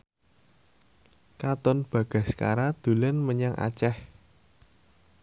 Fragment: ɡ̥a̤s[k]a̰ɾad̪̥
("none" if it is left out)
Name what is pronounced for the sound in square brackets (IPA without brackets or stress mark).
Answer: k